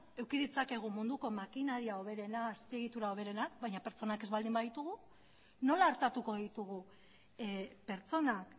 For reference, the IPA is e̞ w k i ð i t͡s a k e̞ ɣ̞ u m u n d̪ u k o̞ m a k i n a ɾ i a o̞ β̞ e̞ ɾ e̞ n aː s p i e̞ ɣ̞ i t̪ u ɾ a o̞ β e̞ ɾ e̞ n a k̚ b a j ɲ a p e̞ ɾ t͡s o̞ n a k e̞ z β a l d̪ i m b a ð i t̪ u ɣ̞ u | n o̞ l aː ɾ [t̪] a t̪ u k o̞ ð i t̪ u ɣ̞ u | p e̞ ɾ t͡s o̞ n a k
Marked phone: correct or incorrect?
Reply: correct